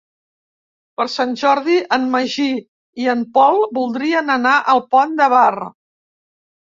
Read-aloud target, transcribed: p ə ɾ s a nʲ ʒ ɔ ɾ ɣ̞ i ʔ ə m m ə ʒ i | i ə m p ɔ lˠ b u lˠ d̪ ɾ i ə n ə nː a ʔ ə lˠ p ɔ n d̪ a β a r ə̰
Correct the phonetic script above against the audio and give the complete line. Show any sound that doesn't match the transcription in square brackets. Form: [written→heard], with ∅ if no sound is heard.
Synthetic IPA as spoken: p ə ɾ s a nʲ ʒ ɔ ɾ [ɣ̞→ð̞] i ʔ ə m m ə ʒ i | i ə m p ɔ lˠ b u lˠ d̪ ɾ i ə n ə [nː→n] a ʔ ə lˠ p ɔ n d̪ [a→ə] β a r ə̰